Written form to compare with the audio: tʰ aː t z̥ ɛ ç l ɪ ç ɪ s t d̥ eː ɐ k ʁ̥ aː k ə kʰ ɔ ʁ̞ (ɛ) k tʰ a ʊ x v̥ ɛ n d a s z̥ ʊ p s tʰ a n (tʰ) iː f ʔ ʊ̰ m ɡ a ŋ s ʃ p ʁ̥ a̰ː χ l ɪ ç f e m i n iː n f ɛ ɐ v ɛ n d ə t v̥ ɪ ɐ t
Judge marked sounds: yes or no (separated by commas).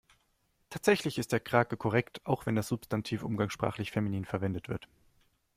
yes, yes